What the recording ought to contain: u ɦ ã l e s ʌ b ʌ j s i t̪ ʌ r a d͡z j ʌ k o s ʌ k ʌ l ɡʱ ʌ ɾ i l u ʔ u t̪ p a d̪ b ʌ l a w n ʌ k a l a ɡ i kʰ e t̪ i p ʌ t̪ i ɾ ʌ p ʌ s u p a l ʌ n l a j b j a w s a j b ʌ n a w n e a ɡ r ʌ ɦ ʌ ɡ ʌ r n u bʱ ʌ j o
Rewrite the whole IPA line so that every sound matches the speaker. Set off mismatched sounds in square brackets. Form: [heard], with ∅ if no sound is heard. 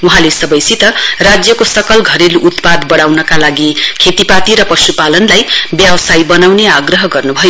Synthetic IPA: u ɦ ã l e s ʌ b ʌ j s i t̪ ʌ r a d͡z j ʌ k o s ʌ k ʌ l ɡʱ ʌ ɾ [e] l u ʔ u t̪ p a d̪ b ʌ [ɽ] a w n ʌ k a l a ɡ i kʰ e t̪ i p [a] t̪ i ɾ ʌ p ʌ s u p a l ʌ n l a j b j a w s a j b ʌ n a w n e a ɡ r ʌ ɦ ʌ ɡ ʌ r n u bʱ ʌ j o